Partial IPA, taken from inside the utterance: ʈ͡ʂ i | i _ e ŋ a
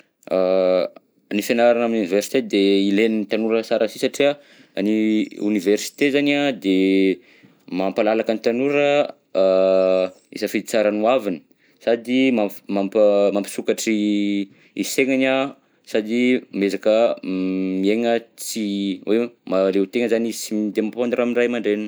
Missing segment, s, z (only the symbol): s